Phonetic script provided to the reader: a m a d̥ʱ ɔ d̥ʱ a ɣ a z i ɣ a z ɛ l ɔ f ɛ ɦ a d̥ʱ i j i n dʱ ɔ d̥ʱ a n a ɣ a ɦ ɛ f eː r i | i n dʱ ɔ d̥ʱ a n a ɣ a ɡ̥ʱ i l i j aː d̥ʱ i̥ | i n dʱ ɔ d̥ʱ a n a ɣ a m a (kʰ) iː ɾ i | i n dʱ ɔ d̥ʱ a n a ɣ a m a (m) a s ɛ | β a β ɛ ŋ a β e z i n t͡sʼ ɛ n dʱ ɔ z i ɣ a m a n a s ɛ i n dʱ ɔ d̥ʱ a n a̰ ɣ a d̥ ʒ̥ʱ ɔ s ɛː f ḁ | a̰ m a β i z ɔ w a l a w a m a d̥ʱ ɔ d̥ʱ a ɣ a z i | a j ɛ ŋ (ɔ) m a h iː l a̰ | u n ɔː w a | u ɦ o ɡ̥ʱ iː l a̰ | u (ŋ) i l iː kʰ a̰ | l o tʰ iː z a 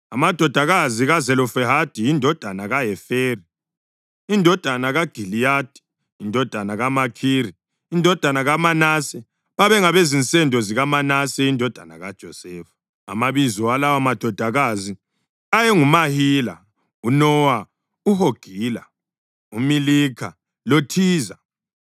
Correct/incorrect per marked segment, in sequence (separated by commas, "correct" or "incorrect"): correct, incorrect, incorrect, incorrect